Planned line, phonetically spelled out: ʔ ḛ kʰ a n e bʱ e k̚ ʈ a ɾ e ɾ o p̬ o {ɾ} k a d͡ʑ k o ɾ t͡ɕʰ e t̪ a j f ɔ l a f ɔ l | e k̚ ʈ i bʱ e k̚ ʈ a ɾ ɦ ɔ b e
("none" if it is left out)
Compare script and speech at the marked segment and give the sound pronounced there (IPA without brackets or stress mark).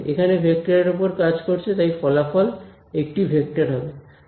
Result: ɾ